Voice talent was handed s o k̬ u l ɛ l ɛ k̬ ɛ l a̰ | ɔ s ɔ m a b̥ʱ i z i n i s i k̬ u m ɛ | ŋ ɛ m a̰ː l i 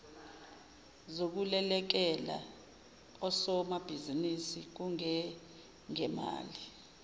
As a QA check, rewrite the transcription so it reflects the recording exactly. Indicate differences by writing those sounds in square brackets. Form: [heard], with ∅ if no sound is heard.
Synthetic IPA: [z] o k̬ u l ɛ l ɛ k̬ ɛ l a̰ | ɔ s ɔ m a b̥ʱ i z i n i s i k̬ u [ŋ] ɛ | ŋ ɛ m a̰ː l i